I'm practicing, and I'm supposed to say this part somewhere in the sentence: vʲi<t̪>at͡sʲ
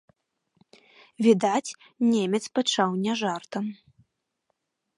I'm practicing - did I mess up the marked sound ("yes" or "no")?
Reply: yes